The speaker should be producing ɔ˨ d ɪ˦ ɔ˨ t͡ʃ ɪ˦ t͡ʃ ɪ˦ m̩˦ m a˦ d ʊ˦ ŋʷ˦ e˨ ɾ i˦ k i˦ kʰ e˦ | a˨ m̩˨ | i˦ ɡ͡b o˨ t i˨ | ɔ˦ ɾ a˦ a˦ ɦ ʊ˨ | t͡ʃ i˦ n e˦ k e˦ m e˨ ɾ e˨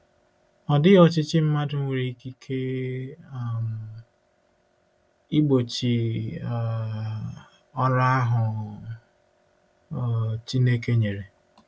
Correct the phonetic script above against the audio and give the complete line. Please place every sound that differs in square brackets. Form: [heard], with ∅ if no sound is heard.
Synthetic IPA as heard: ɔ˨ d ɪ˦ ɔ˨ t͡ʃ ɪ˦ t͡ʃ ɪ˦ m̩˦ m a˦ d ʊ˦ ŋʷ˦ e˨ ɾ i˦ k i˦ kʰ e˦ | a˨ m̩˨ | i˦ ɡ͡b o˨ [t͡ʃ] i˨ | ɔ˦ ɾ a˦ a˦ ɦ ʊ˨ | t͡ʃ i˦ n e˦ k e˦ [ɲ] e˨ ɾ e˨